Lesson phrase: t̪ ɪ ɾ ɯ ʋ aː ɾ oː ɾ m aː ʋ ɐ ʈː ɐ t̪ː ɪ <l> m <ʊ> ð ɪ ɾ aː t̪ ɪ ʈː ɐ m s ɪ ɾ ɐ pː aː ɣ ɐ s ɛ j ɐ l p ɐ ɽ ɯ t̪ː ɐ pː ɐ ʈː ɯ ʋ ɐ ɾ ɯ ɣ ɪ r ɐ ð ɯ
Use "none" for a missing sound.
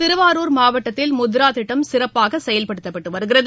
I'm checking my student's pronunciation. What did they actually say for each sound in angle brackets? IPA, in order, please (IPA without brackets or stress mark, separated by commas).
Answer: l, ʊ